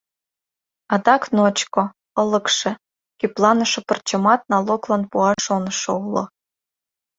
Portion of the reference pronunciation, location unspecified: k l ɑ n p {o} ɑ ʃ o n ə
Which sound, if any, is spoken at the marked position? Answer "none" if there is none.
u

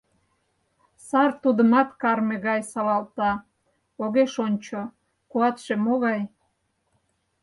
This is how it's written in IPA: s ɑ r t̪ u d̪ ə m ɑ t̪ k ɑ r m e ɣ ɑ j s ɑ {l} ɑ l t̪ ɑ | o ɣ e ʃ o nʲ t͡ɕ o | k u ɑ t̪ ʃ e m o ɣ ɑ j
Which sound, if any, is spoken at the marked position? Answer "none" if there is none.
l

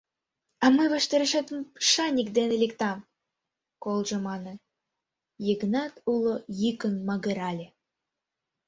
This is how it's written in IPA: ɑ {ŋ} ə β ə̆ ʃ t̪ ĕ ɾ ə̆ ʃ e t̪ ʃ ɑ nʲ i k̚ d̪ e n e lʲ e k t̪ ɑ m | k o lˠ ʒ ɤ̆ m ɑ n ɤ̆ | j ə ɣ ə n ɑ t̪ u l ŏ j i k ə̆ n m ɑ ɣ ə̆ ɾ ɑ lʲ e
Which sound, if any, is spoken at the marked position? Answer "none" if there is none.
m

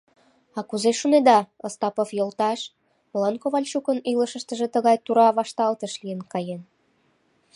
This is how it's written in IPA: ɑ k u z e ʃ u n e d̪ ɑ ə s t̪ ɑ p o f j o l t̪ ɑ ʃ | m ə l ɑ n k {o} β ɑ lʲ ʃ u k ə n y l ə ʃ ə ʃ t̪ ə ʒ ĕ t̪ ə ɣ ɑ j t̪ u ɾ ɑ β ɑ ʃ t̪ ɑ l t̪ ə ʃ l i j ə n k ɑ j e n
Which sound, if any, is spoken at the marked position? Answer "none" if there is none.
o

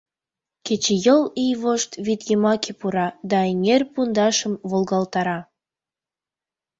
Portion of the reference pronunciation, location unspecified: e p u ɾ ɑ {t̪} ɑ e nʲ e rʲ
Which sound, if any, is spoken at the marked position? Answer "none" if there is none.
d̪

